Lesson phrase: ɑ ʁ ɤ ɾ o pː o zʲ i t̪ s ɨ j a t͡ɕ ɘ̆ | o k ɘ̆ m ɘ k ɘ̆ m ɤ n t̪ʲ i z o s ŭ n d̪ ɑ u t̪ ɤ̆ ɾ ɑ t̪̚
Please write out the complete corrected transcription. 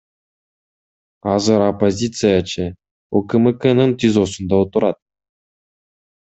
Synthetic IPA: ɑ z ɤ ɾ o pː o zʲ i t̪ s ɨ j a t͡ɕ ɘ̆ | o k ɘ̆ m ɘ k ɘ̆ n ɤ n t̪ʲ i z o s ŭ n d̪ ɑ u t̪ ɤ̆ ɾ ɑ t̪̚